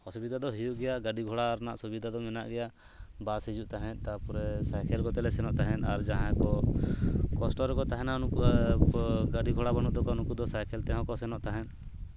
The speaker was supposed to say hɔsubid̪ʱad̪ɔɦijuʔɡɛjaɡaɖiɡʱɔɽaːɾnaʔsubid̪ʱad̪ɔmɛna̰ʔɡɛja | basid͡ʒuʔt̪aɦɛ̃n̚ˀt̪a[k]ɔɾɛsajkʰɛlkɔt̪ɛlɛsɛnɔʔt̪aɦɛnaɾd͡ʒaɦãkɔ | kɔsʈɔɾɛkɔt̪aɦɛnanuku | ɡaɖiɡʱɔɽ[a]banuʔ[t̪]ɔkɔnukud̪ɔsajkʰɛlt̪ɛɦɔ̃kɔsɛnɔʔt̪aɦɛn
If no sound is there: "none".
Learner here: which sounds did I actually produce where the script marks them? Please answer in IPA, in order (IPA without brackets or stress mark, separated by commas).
p, a, d̪